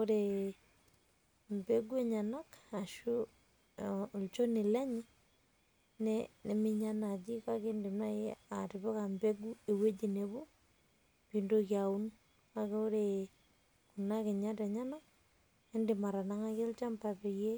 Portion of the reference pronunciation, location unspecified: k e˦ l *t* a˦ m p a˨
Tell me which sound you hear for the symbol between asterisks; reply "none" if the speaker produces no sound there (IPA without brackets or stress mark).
t͡ʃ